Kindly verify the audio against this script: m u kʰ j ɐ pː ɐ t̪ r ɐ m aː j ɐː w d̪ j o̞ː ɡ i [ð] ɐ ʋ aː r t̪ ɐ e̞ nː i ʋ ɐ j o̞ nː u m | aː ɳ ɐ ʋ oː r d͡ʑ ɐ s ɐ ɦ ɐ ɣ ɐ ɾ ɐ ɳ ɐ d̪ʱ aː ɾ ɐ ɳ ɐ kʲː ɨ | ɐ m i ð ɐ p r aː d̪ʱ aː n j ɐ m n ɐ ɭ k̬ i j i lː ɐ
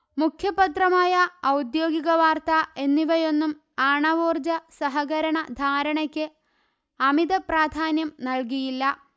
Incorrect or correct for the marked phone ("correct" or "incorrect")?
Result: incorrect